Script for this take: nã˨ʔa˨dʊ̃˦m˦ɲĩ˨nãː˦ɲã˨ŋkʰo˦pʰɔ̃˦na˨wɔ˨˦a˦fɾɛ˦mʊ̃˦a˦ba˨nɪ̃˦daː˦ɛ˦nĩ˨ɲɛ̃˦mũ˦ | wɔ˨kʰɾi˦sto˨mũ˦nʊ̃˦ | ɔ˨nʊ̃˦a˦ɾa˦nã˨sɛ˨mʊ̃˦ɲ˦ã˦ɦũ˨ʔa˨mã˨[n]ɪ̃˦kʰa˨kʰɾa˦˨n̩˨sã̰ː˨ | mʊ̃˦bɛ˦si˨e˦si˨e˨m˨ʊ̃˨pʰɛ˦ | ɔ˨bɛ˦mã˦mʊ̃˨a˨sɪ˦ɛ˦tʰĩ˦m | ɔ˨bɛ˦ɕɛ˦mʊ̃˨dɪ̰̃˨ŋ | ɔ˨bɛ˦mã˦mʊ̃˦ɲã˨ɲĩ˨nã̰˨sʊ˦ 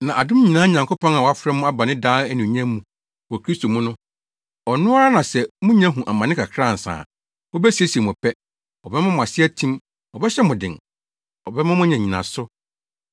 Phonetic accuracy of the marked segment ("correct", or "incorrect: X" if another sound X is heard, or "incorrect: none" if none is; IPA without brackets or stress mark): correct